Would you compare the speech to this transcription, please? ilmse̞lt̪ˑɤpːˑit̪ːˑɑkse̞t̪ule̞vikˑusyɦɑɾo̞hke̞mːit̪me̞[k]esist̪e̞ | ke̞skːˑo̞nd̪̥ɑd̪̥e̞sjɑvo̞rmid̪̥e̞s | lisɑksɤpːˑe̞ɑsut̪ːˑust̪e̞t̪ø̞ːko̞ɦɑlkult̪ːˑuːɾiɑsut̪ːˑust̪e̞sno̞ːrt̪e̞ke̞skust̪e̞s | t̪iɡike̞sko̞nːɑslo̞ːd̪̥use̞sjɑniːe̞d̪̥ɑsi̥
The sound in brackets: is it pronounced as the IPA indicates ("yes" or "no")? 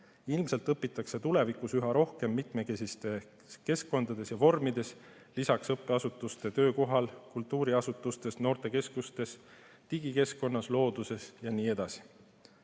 yes